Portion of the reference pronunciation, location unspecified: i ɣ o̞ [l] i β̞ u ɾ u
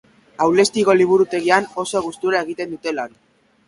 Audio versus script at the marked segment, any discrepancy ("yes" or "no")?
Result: no